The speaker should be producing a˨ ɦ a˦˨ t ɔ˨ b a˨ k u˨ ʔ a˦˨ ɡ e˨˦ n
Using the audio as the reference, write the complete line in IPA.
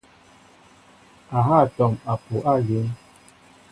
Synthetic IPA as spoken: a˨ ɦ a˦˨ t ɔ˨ m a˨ p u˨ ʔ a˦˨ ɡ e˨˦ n

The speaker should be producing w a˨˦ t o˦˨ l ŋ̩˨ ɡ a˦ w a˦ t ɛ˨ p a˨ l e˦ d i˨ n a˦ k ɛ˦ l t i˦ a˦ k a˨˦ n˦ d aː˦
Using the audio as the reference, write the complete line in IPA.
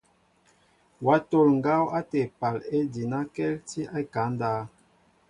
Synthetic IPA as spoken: w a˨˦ t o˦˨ l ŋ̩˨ ɡ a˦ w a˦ t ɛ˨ p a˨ l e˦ d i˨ n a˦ k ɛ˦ l t i˦ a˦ k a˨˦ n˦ d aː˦

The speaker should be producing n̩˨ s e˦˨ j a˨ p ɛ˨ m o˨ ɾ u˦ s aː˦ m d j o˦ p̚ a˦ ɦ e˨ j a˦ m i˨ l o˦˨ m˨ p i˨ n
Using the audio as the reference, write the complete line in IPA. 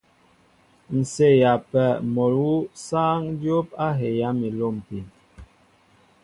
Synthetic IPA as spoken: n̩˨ s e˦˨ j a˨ p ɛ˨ m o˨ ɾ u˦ s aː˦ ŋ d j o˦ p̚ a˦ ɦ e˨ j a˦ m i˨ l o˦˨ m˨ p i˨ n

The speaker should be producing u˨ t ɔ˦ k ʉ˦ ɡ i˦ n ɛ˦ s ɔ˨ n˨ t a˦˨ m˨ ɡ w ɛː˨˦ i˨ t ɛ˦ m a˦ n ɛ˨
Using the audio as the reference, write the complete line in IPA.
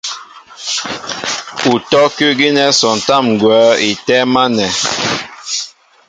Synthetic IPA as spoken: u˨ t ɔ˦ k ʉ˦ ɡ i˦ n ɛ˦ s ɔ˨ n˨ t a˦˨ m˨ ɡ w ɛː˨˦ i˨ t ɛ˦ m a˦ n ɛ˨

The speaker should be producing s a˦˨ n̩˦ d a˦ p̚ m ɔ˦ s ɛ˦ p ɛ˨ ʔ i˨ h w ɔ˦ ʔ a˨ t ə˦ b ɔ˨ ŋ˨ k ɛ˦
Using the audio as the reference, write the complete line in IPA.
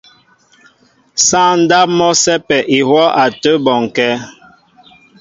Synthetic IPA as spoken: s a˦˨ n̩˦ d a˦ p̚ m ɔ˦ s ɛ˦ p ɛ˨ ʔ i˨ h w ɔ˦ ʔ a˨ t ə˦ b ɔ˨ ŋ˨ k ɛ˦

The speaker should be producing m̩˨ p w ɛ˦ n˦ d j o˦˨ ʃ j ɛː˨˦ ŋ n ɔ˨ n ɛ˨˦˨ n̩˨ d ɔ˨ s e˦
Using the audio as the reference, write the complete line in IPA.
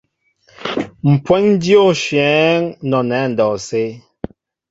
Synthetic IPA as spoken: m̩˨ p w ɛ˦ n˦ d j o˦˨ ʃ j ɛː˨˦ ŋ n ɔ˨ n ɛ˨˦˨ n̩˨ d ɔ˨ s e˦

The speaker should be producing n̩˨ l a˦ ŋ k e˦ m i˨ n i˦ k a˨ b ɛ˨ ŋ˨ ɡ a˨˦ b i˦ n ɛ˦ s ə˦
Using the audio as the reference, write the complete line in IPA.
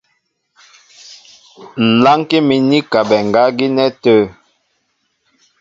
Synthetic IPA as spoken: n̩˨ l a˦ ŋ k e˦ m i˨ n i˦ k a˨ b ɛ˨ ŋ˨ ɡ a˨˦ ɡ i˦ n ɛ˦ t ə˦

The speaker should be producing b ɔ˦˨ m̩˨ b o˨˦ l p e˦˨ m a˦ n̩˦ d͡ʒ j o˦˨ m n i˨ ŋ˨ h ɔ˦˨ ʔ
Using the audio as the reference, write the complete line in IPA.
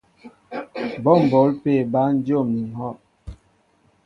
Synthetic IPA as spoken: b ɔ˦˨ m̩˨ b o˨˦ l p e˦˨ b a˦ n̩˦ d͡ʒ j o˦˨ m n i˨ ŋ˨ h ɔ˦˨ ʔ

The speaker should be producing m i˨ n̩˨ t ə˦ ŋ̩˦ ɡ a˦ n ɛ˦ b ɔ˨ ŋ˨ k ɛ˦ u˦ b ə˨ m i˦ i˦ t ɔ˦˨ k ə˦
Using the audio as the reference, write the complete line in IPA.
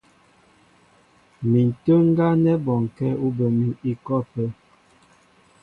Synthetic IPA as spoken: m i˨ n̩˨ t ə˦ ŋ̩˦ ɡ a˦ n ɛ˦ b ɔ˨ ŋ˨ k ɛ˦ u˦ b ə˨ m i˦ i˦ k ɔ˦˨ p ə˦

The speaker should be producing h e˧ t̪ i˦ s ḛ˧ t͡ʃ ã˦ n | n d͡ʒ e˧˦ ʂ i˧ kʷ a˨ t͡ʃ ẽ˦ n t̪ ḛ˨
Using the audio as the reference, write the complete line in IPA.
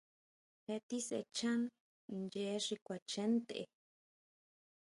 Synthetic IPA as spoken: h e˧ t̪ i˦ s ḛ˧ t͡ʃ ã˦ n | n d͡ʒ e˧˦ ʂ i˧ kʷ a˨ t͡ʃ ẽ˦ n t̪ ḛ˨

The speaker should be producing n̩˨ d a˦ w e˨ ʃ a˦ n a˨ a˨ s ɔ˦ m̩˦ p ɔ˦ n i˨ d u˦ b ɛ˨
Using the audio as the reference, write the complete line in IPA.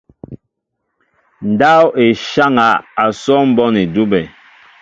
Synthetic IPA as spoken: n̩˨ d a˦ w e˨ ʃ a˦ ŋ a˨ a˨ s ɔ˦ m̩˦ b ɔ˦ n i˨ d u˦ b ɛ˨

